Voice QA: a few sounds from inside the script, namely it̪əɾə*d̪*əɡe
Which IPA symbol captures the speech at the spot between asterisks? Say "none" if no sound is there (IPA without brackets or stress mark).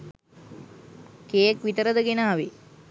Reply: d̪